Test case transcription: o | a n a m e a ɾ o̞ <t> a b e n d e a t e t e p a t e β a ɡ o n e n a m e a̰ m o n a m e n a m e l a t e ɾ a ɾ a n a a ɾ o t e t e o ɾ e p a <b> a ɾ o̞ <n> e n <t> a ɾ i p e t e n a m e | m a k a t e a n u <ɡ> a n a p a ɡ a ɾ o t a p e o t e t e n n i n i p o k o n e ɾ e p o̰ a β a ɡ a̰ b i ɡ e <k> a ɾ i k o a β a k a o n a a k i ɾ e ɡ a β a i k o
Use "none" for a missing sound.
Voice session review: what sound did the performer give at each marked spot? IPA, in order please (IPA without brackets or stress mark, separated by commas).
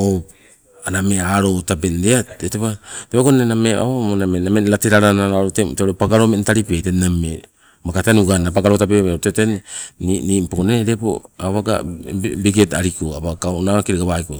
t, ɡ, m, t, ɡ, t